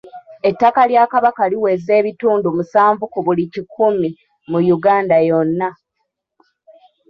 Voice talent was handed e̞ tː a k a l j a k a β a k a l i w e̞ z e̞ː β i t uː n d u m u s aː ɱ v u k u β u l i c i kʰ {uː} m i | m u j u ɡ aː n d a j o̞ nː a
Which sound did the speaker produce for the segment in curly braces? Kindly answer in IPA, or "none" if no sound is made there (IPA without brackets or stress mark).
u